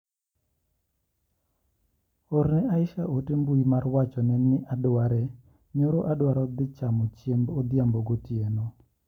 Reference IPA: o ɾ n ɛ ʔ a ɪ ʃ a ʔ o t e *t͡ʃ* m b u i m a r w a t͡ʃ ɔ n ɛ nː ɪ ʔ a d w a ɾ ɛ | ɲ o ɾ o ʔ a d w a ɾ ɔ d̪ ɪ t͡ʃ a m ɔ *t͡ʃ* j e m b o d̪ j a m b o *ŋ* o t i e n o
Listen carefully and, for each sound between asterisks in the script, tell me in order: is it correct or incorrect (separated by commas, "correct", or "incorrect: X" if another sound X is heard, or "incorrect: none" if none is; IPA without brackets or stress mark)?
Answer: incorrect: none, correct, incorrect: ɡ